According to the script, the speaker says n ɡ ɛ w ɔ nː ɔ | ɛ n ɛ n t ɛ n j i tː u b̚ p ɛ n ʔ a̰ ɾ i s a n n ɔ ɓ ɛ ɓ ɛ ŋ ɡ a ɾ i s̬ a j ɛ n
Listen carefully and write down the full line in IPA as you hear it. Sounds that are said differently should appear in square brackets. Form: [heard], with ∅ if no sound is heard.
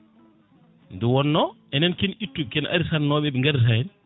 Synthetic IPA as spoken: n [d] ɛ w ɔ nː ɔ | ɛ n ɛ n [k] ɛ n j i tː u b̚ [k] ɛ n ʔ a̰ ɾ i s a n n ɔ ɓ ɛ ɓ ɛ ŋ ɡ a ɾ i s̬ a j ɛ n